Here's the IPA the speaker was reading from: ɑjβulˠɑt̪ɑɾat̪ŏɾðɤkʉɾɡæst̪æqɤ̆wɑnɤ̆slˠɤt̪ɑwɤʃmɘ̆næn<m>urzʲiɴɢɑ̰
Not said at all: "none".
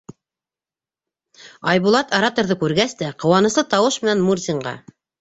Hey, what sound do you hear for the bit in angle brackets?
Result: m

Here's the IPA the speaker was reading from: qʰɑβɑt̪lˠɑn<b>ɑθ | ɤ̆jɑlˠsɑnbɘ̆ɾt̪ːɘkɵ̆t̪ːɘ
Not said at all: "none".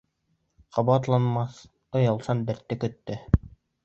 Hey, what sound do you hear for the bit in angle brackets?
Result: m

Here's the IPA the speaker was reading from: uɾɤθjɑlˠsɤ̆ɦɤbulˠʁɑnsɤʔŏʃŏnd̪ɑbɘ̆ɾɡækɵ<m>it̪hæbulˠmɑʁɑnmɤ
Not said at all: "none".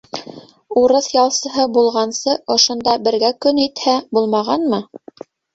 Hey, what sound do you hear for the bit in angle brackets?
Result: n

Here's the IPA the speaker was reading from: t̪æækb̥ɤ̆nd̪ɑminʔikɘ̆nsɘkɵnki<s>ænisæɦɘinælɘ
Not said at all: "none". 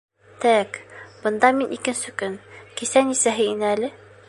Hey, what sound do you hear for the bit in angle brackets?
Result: s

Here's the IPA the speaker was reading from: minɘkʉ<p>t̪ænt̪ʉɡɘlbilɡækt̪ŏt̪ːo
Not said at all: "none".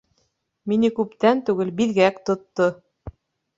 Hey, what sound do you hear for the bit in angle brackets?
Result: p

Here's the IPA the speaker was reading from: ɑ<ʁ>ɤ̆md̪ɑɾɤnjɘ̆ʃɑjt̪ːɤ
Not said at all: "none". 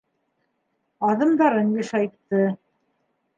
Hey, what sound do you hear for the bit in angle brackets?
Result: ð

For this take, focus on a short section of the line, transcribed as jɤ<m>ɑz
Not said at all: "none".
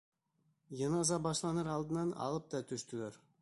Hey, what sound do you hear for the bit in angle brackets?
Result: n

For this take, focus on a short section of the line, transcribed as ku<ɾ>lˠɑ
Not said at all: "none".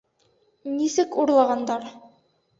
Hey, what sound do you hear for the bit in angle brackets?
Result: ɾ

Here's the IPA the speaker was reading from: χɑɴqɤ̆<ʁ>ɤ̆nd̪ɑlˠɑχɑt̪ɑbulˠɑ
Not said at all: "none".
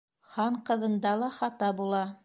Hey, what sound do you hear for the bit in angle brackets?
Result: ð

